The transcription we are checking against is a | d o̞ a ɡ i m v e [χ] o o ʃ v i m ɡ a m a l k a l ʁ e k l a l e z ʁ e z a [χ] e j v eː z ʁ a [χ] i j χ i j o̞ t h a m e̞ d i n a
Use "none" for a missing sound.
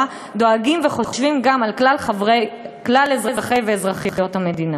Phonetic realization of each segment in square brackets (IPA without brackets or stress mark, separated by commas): χ, χ, χ